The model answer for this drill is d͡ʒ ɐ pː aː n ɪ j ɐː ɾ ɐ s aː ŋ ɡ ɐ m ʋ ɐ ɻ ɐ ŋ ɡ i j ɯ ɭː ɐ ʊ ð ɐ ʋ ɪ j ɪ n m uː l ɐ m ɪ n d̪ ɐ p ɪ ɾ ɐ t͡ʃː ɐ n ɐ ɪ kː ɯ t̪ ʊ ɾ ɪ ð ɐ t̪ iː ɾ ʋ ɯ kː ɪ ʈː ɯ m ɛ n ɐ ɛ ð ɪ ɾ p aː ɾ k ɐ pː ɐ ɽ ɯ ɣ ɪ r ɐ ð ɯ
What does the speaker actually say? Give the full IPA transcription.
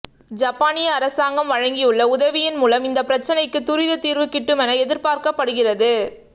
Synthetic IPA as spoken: d͡ʒ ɐ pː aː n ɪ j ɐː ɾ ɐ s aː ŋ ɡ ɐ m ʋ ɐ ɻ ɐ ŋ ɡ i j ɯ ɭː ɐ ʊ ð ɐ ʋ ɪ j ɪ n m uː l ɐ m ɪ n d̪ ɐ p ɪ ɾ ɐ t͡ʃː ɐ n ɐ ɪ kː ɯ t̪ ʊ ɾ ɪ ð ɐ t̪ iː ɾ ʋ ɯ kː ɪ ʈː ɯ m ɛ n ɐ ɛ ð ɪ ɾ p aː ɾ k ɐ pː ɐ ɽ ɯ ɣ ɪ r ɐ ð ɯ